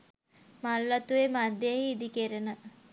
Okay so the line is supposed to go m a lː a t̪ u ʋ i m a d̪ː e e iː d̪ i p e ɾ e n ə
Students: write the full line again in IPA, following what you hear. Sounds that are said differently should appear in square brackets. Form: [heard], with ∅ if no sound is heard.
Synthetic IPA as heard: m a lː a t̪ u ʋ [e] m a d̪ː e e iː d̪ i [k] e ɾ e n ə

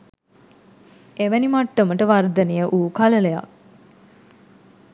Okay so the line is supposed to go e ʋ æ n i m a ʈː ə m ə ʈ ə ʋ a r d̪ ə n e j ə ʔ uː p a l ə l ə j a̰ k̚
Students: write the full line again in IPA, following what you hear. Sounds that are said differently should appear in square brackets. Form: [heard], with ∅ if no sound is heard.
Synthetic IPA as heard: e ʋ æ n i m a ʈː ə m ə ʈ ə ʋ a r d̪ ə n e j ə ʔ uː [k] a l ə l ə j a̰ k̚

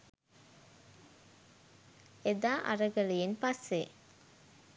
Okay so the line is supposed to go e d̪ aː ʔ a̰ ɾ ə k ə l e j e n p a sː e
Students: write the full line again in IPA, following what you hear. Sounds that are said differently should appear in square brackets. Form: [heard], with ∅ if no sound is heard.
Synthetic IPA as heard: e d̪ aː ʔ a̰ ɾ ə [ɡ] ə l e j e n p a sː e

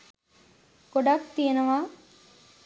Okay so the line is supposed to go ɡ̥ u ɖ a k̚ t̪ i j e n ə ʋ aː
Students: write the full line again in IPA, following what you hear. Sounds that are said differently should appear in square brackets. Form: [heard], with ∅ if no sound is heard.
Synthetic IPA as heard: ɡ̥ [o] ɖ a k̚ t̪ i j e n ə ʋ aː

